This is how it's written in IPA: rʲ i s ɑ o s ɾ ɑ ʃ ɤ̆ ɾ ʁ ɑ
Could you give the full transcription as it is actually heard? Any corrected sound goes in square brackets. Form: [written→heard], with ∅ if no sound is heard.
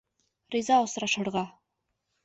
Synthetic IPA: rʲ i [s→z] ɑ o s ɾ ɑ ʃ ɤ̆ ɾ ʁ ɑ